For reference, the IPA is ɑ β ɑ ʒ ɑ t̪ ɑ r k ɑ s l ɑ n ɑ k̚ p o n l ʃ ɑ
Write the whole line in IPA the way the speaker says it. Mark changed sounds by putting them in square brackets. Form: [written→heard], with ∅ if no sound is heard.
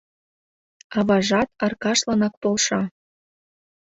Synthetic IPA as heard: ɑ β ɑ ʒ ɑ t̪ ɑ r k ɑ [s→ʃ] l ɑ n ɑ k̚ p o [n→∅] l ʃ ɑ